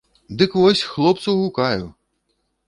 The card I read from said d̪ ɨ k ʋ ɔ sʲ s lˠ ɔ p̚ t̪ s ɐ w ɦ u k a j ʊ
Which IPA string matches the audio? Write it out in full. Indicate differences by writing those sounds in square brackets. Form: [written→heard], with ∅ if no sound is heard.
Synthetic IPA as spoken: d̪ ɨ k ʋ ɔ sʲ [s→x] lˠ ɔ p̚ t̪ s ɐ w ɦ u k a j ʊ